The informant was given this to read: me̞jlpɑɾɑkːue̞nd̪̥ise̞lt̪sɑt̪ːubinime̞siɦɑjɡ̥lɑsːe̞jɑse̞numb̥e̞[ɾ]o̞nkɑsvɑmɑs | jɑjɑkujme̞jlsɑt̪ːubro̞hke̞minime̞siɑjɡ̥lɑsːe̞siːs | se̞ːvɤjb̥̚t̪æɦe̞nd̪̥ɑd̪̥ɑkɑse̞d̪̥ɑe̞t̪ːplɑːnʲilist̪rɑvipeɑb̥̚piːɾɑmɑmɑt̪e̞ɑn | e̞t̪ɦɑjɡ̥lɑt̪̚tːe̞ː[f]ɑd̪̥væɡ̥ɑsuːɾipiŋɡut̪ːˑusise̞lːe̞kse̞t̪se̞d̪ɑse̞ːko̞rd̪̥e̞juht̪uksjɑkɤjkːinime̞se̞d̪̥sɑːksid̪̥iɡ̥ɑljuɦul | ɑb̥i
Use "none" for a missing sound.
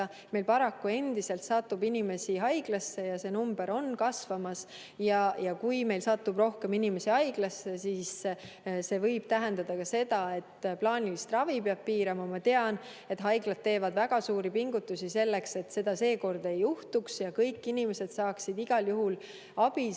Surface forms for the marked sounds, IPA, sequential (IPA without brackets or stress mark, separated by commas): ɾ, v